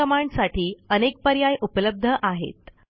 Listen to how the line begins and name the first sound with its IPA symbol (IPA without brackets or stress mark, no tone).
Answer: ə